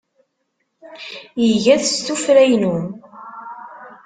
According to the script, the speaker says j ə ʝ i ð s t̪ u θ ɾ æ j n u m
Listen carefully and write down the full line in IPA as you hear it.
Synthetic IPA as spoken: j ə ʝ æ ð s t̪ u f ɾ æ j n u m